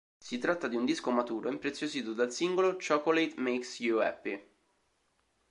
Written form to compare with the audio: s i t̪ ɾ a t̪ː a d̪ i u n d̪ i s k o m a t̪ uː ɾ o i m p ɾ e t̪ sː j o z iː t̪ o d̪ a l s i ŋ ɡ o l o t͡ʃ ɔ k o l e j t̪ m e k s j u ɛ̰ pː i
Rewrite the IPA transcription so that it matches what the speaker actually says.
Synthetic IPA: s i t̪ ɾ a t̪ː a d̪ i u n d̪ i s k o m a t̪ uː ɾ o i m p ɾ e t̪ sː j o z iː t̪ o d̪ a l s i ŋ ɡ o l o t͡ʃ ɔ k o l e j t̪ m e k s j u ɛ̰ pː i